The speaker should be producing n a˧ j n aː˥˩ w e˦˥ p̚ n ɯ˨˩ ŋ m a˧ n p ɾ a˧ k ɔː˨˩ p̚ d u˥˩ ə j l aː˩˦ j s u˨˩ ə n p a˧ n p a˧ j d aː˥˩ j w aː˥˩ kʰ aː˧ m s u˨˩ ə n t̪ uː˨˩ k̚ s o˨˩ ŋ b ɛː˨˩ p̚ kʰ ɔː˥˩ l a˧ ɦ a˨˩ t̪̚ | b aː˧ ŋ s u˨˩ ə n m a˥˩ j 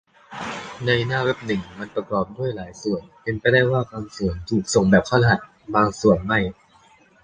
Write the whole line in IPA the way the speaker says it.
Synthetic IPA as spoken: n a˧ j n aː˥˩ w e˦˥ p̚ n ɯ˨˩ ŋ m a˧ n p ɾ a˧ k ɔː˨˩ p̚ d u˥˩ ə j l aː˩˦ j s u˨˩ ə n p e˧ n p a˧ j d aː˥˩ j w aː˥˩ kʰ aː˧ m s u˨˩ ə n t̪ʰ uː˨˩ k̚ s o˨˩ ŋ b ɛː˨˩ p̚ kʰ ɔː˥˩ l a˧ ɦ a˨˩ t̪̚ | b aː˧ ŋ s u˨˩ ə n m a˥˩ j